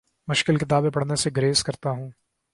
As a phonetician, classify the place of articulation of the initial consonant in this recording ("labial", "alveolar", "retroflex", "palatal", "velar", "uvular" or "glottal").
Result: labial